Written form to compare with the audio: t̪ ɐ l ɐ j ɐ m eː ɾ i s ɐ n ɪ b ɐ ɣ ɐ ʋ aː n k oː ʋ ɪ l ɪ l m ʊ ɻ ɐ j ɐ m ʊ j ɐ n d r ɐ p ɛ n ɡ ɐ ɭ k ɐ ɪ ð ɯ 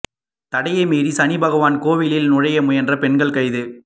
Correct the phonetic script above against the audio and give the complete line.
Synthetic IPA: t̪ ɐ ɽ ɐ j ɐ m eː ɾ i s ɐ n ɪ b ɐ ɣ ɐ ʋ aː n k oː ʋ ɪ l ɪ l n ʊ ɻ ɐ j ɐ m ʊ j ɐ n d r ɐ p ɛ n ɡ ɐ ɭ k ɐ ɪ ð ɯ